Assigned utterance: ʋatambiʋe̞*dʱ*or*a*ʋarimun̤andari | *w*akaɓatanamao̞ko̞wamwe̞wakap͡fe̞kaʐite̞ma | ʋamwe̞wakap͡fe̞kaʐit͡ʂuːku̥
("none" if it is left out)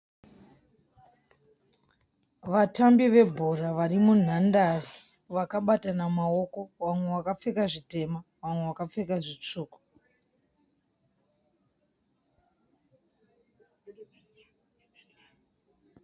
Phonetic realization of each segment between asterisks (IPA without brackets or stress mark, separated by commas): bʱ, a, ʋ